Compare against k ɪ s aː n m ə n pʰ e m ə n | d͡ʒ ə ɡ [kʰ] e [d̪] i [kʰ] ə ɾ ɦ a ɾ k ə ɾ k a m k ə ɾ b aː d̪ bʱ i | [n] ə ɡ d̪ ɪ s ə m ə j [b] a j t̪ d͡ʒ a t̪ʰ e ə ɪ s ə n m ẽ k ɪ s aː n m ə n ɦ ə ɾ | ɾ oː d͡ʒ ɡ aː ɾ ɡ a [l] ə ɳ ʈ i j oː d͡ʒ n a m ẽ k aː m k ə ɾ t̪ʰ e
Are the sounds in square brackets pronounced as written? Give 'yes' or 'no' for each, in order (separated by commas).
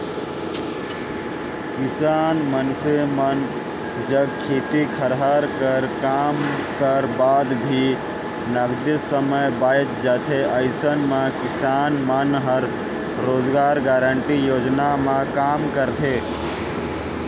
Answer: yes, no, yes, yes, yes, no